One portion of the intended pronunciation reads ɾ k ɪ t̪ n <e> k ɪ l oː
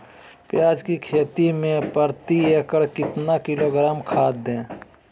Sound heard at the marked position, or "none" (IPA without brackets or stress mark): a